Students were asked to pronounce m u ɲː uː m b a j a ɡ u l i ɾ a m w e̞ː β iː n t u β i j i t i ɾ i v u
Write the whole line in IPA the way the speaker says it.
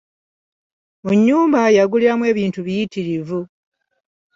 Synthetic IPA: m u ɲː uː m b a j a ɡ u l i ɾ a m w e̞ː β iː n t u β i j i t i ɾ i v u